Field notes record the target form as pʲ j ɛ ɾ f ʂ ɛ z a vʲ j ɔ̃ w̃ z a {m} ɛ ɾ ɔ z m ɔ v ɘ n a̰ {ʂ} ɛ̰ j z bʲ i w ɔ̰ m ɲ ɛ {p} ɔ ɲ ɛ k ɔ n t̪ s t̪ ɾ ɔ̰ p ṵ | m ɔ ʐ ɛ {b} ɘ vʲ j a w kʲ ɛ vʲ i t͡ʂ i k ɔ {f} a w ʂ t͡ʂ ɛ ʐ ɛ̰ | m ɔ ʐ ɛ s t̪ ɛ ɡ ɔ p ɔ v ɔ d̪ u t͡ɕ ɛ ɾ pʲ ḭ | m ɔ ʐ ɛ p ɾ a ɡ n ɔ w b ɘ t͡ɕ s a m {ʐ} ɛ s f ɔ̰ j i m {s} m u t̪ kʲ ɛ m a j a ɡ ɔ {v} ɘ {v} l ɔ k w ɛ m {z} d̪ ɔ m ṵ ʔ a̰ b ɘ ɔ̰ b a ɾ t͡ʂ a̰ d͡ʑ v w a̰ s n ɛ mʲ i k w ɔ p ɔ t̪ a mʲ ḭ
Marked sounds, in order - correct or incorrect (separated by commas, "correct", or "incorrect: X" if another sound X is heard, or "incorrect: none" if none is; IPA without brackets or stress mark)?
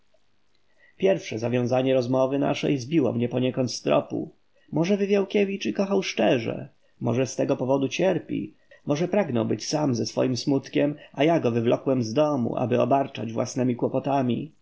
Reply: incorrect: ɲ, correct, correct, incorrect: v, incorrect: x, incorrect: z, correct, correct, correct, correct